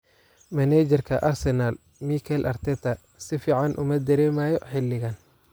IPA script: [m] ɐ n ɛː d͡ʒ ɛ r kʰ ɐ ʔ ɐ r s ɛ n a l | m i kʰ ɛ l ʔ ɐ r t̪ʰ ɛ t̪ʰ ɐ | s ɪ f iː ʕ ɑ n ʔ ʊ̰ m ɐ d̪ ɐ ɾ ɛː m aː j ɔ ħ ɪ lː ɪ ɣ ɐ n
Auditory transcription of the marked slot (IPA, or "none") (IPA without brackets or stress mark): m